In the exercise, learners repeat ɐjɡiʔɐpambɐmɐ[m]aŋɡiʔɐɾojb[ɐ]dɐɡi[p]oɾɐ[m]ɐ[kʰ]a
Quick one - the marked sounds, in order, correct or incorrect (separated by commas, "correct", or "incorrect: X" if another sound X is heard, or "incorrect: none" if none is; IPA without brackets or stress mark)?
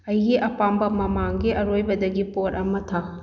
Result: correct, correct, correct, correct, incorrect: tʰ